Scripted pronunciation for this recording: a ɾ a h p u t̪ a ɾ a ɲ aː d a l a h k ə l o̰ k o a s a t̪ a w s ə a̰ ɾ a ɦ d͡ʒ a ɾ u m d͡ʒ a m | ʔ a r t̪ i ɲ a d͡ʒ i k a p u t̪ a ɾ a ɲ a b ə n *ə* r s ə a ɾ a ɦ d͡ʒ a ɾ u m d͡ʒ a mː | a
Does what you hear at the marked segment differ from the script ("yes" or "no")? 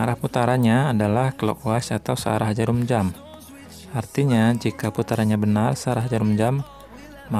yes